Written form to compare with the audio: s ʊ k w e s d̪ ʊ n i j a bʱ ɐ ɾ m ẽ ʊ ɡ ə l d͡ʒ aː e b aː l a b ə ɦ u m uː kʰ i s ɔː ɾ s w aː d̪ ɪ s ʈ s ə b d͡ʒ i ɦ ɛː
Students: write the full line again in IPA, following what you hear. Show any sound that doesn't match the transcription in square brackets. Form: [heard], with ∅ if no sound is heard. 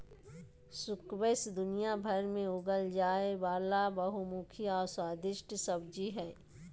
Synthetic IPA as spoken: s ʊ k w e s d̪ ʊ n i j a bʱ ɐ ɾ m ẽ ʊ ɡ ə l d͡ʒ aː e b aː l a b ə ɦ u m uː kʰ i [∅] ɔː ɾ s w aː d̪ ɪ [ʃ] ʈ s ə b d͡ʒ i ɦ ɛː